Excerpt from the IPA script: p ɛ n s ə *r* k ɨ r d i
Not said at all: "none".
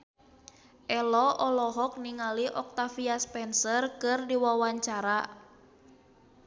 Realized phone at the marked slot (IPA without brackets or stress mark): r